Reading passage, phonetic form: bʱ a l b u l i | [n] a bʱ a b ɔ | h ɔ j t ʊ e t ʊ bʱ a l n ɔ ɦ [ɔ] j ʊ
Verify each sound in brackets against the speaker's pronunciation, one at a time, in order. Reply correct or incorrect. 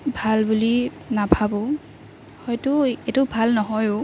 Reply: correct, correct

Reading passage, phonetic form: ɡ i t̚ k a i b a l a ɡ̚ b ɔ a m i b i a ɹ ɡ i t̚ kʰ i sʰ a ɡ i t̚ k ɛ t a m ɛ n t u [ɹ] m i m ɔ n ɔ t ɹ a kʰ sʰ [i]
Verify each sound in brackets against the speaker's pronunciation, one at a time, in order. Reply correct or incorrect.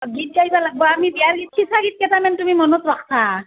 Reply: incorrect, incorrect

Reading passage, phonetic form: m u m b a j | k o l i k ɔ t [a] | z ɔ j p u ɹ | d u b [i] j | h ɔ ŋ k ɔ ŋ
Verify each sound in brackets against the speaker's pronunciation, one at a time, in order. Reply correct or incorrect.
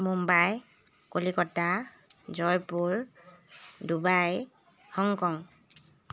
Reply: correct, incorrect

